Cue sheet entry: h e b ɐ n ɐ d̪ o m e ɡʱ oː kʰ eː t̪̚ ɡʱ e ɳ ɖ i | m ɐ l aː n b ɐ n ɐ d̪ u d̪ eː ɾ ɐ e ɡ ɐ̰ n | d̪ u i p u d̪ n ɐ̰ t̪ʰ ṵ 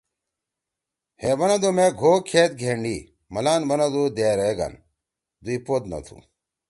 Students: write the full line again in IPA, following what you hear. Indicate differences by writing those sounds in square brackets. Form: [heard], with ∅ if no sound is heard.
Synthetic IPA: h e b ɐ n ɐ d̪ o m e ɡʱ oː kʰ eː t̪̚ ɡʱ e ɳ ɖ i | m ɐ l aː n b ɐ n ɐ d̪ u d̪ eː ɾ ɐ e ɡ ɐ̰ n | d̪ u i p [o] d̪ n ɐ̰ t̪ʰ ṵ